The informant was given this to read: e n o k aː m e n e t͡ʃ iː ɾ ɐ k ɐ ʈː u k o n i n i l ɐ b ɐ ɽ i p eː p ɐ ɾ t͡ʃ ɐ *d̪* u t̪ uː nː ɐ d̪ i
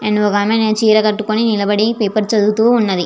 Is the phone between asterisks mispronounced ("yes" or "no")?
no